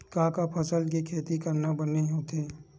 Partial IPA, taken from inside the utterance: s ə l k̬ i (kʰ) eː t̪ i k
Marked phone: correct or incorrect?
correct